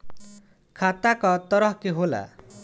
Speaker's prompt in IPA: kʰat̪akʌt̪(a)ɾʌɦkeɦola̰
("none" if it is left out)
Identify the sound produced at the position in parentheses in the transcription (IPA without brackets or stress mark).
ʌ